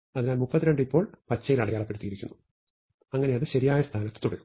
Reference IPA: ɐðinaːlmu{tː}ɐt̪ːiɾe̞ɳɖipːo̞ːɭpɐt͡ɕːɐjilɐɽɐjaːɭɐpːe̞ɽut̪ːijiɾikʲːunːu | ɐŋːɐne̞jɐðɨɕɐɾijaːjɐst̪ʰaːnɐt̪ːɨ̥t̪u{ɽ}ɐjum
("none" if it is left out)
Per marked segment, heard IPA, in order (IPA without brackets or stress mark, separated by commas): pː, ɽ